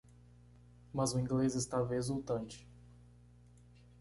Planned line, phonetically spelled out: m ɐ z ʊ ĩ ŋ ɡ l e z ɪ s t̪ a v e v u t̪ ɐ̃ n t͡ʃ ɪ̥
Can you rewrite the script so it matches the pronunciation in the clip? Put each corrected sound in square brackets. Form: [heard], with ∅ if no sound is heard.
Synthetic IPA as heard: m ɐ z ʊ ĩ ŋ ɡ l e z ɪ s t̪ a v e [z] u t̪ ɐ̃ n t͡ʃ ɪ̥